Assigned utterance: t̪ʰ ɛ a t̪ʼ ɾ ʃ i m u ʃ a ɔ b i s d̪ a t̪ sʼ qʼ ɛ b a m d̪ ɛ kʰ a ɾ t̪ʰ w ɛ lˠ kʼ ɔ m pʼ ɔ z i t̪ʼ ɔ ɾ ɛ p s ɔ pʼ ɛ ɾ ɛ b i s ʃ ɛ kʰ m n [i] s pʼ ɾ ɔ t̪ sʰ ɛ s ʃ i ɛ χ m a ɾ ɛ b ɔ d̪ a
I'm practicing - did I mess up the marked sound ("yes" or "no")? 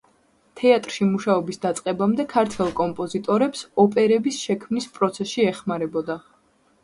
no